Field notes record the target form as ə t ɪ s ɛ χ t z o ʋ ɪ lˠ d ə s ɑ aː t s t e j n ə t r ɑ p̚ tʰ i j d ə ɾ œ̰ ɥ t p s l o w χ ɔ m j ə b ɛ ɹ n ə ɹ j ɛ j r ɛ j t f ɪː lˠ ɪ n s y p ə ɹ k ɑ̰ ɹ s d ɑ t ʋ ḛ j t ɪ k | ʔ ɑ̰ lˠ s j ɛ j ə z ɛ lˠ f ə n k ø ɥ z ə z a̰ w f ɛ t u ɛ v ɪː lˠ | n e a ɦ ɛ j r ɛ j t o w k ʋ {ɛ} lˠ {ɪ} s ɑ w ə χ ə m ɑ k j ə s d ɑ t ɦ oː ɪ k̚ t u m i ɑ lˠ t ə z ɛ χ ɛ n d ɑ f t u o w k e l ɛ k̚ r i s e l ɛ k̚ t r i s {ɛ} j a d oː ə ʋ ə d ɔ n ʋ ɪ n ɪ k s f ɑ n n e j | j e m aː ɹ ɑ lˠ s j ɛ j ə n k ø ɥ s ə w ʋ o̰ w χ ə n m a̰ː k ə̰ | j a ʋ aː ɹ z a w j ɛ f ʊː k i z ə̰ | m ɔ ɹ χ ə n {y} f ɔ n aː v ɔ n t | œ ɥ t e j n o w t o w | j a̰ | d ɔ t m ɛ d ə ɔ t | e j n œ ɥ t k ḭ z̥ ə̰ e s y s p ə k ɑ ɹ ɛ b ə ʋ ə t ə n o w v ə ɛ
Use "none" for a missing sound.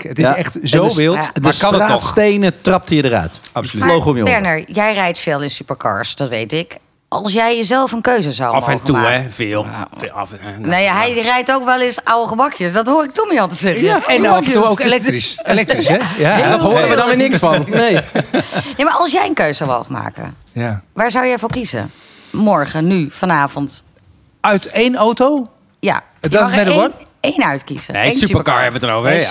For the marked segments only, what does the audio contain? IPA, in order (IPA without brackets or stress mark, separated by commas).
ɛ, ɪ, ɛ, y